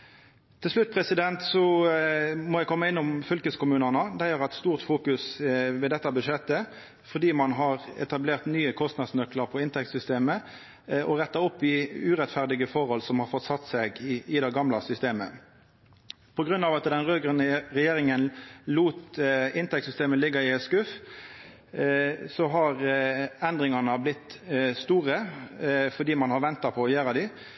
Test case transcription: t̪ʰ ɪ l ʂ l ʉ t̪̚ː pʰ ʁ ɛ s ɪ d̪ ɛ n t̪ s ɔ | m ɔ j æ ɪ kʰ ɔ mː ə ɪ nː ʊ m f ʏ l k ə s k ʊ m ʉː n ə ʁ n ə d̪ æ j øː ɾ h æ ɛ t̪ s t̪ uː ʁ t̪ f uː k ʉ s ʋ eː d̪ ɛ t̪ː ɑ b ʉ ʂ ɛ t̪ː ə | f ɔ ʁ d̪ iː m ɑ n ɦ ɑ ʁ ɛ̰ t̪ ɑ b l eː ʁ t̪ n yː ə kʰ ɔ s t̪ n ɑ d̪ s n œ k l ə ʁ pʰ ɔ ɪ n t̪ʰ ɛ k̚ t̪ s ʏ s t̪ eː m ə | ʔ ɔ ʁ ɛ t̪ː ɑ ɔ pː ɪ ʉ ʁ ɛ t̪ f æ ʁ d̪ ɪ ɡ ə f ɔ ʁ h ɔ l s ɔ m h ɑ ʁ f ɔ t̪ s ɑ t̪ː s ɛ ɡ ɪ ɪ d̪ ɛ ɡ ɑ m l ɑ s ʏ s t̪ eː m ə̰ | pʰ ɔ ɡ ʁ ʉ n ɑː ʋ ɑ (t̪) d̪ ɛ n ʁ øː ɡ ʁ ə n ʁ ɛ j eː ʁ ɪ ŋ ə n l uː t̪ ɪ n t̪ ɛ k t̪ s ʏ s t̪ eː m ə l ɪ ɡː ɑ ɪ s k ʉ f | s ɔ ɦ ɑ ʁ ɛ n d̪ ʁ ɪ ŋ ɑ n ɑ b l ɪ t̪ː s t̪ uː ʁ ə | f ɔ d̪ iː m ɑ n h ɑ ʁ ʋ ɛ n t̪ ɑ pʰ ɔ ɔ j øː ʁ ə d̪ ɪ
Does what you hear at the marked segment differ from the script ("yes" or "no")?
no